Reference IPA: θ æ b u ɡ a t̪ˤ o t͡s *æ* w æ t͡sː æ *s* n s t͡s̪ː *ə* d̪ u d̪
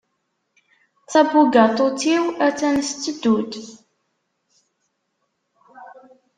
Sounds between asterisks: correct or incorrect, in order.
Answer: incorrect: i, incorrect: none, correct

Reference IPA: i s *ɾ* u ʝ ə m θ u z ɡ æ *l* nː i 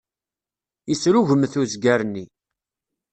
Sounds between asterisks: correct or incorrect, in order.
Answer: correct, incorrect: ɾ

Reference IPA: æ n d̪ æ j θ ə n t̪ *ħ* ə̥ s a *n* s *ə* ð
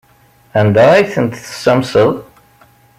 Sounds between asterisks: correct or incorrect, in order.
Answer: incorrect: θ, incorrect: m, correct

